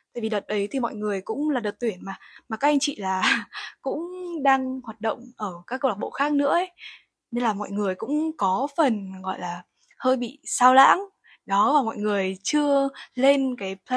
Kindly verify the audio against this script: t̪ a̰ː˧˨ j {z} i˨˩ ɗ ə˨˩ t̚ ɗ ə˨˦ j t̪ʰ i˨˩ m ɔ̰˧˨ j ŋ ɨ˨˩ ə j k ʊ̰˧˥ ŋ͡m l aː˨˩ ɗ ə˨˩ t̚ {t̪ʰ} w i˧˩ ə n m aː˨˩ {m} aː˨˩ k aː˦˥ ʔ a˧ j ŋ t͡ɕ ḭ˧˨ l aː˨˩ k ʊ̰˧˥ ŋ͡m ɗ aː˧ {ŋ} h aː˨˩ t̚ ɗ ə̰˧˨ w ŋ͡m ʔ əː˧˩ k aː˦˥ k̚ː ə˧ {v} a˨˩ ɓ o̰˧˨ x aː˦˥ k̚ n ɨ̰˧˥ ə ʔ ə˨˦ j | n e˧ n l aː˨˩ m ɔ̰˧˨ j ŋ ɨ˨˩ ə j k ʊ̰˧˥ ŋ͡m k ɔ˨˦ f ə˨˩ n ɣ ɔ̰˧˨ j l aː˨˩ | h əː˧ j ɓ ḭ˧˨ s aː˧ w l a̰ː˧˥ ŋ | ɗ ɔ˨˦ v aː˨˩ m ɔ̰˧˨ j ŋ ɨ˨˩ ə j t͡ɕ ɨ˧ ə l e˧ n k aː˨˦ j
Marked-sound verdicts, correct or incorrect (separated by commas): incorrect, incorrect, correct, correct, incorrect